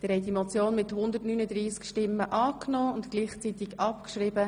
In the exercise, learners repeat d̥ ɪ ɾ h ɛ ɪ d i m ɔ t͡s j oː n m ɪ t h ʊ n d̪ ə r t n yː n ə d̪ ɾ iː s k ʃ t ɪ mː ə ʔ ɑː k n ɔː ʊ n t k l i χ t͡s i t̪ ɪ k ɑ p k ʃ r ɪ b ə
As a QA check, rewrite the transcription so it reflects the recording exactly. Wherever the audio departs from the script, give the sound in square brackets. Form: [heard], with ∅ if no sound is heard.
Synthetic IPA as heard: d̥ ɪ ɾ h ɛ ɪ d i m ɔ t͡s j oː n m ɪ t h ʊ n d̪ ə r t n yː n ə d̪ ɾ iː s k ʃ t ɪ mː ə ʔ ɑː k n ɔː ʊ n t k l [iː] χ t͡s i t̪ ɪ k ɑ p k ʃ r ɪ b ə

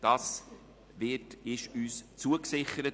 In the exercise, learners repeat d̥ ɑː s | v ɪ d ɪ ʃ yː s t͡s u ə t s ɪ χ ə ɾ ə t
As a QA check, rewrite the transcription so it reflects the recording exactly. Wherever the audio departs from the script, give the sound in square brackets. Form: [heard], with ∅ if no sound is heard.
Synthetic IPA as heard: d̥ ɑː s | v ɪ [t] ɪ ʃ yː s t͡s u ə [k] s ɪ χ ə ɾ ə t

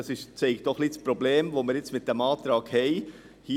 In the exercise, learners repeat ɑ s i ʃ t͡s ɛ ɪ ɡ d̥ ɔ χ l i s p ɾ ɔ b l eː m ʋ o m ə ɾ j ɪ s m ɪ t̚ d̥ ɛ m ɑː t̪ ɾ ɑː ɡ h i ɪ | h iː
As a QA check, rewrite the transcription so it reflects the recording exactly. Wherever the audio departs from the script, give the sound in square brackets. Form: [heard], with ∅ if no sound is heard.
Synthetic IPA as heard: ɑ s [ɪ] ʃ t͡s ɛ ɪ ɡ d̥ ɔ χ l i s p ɾ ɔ b l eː m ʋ o m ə ɾ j ɪ [t͡s] m ɪ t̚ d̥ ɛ m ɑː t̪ ɾ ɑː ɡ h [ɛ] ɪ | h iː

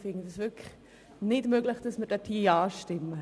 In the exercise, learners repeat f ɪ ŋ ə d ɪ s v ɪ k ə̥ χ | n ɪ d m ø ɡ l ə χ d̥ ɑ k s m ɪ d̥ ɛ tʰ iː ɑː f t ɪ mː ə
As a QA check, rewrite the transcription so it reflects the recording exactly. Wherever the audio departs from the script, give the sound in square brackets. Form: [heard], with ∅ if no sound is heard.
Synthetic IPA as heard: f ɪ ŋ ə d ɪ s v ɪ k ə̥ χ | n ɪ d m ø ɡ l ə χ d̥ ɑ [∅] s m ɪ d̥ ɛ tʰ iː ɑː [ʃ] t ɪ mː ə

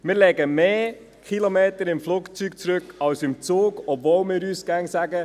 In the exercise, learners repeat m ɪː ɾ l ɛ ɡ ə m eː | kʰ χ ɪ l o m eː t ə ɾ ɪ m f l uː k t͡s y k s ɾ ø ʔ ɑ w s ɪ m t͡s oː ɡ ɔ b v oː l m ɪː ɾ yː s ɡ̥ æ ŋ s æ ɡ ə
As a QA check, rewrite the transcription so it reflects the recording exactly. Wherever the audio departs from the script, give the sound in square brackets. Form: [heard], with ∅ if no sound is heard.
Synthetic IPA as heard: m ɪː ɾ l ɛ ɡ ə m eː | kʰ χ [i] l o m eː t ə ɾ ɪ m f l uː k t͡s y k [t͡s] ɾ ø [k] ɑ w s ɪ m t͡s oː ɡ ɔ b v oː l m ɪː ɾ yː s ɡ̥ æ ŋ s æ ɡ ə

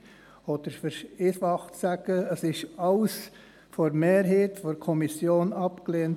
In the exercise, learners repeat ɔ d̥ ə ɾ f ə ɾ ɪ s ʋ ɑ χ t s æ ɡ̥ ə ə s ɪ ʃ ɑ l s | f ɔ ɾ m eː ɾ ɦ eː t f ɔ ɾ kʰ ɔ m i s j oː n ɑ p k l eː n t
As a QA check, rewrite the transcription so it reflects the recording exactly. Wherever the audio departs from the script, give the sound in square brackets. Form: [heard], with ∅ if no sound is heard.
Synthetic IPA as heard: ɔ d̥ ə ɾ f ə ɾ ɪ s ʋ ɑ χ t s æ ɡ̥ ə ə s ɪ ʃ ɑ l s | f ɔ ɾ m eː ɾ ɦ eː t f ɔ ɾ kʰ ɔ m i s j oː n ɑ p k l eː n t

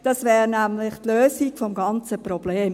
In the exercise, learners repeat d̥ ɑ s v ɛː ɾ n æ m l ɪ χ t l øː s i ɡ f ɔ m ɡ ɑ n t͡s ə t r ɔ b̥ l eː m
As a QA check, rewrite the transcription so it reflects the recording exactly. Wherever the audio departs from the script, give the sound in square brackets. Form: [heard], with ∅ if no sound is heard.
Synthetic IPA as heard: d̥ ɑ s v ɛː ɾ n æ m l ɪ χ t l øː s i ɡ f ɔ m ɡ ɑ n t͡s ə [p] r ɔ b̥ l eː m

